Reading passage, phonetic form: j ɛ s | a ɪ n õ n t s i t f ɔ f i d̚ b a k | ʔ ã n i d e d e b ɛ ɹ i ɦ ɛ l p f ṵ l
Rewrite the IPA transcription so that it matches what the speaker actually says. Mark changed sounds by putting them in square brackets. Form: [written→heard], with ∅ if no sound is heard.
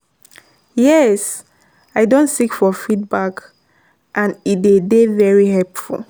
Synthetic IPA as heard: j ɛ s | a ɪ [n→d] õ n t s i [t→k] f ɔ f i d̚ b a k | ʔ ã n i d e d e [b→v] ɛ ɹ i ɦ ɛ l p f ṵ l